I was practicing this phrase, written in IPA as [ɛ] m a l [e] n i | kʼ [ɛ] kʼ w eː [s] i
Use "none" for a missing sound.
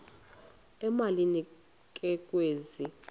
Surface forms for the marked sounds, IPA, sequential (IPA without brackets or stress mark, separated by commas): ɛ, i, ɛ, z